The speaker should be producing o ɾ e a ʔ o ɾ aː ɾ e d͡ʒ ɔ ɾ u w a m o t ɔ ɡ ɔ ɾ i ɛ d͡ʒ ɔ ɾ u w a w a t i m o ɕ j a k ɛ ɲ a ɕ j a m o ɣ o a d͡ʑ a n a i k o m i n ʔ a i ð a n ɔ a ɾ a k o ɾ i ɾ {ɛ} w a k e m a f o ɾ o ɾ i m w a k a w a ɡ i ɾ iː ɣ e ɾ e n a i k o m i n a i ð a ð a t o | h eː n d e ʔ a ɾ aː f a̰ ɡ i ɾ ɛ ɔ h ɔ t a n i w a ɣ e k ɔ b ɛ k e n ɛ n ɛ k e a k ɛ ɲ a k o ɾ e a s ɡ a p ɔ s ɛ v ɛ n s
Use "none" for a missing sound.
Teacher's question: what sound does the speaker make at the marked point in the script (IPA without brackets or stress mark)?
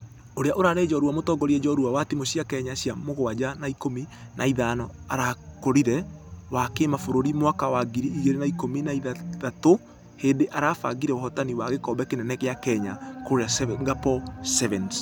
ɛ